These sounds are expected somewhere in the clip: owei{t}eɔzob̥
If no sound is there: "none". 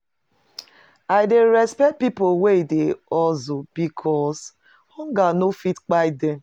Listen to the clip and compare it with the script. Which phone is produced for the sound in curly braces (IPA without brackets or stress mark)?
d